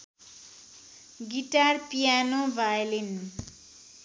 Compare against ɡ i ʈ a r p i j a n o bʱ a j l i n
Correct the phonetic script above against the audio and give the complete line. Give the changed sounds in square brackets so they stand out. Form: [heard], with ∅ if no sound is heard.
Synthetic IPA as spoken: ɡ i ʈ a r p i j a n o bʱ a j l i n